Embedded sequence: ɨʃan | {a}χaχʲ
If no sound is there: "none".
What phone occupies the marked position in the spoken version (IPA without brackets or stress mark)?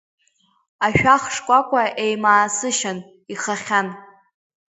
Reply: i